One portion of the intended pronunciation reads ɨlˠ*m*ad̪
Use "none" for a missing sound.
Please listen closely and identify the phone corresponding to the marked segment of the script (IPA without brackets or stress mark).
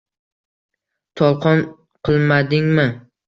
m